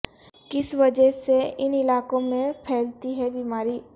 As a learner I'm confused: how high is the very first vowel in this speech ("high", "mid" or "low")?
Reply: high